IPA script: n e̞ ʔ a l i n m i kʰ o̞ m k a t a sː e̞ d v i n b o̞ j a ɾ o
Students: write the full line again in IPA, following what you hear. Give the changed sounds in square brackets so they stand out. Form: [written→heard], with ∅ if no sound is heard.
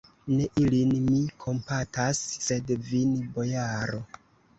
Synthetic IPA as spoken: n e̞ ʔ [a→i] l i n m i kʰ o̞ m [k→p] a t a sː e̞ d v i n b o̞ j a ɾ o